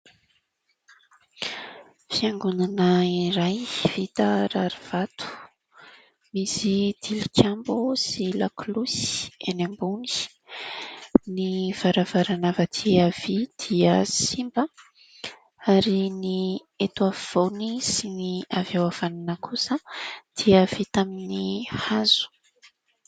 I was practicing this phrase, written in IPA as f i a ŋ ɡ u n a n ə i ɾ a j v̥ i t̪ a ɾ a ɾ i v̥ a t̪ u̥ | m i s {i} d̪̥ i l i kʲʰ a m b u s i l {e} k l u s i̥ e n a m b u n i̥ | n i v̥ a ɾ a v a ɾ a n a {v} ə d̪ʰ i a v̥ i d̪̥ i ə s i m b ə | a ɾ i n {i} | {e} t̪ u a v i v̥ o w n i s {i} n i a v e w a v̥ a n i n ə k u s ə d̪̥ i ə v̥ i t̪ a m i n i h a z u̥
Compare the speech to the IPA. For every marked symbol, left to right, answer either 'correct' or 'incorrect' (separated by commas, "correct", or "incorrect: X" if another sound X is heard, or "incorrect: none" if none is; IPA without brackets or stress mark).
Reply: correct, incorrect: a, correct, correct, correct, correct